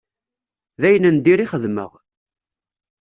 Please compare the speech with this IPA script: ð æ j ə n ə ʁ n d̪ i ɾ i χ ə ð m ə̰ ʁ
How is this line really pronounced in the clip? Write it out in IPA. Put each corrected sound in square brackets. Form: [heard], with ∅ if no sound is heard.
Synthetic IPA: ð æ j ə n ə [∅] n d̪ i ɾ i χ ə ð m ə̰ ʁ